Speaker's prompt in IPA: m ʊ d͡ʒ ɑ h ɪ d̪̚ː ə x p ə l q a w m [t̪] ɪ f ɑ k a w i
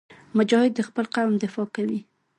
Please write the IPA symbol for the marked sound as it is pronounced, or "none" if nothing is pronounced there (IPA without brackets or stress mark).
d̪